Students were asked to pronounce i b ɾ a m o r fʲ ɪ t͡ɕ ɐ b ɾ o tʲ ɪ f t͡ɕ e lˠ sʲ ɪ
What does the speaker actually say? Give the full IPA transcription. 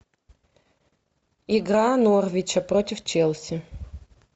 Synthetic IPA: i ɡ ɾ a n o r vʲ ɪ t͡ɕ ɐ p ɾ o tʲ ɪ f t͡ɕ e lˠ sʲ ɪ